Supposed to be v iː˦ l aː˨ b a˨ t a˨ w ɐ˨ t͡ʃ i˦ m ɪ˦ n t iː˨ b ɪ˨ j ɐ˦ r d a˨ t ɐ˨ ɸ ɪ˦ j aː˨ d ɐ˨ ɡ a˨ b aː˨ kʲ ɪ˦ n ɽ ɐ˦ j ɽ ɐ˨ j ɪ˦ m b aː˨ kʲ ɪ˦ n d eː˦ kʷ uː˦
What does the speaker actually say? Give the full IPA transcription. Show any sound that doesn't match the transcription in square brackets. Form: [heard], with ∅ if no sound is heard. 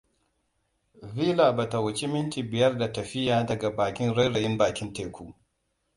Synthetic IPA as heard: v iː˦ l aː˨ b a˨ t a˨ w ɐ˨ t͡ʃ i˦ m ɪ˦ n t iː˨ b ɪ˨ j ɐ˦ r d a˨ t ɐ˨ ɸ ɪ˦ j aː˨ d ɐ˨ ɡ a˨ b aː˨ kʲ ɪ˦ n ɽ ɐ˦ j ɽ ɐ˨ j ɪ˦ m b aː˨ kʲ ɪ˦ n [t] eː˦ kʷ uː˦